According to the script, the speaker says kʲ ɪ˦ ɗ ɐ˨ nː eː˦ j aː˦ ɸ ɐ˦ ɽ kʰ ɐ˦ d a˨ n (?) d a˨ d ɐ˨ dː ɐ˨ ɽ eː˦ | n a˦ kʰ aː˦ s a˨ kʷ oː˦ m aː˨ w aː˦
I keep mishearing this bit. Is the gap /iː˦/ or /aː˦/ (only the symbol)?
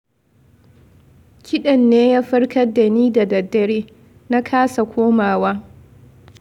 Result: iː˦